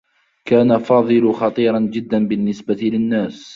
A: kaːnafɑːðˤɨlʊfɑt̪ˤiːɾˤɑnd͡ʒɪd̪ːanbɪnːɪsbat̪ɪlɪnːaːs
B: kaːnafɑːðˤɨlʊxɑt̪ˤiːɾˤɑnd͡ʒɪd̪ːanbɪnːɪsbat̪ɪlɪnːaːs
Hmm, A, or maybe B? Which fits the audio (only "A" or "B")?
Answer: B